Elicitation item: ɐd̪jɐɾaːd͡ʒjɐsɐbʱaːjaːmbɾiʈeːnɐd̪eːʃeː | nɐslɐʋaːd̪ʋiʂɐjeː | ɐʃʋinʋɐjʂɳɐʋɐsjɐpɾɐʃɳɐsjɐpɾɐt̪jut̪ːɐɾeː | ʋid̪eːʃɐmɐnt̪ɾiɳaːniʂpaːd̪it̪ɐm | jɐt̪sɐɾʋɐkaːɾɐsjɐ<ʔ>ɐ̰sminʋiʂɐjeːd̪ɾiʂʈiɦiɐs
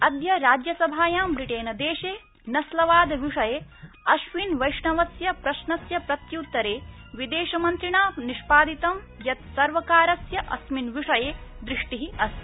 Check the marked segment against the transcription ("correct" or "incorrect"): correct